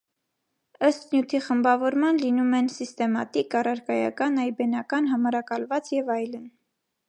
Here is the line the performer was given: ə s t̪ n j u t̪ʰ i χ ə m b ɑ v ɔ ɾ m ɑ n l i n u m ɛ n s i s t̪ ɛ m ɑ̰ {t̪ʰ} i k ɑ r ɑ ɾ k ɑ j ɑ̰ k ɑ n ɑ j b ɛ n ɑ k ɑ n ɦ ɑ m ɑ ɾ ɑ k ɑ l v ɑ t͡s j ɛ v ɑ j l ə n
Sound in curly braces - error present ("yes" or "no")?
yes